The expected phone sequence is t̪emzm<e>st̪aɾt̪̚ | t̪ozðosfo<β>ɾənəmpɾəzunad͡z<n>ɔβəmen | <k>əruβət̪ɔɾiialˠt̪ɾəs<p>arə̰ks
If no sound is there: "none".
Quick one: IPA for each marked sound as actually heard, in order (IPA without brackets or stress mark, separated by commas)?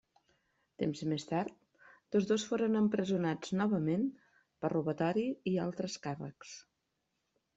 e, none, n, p, k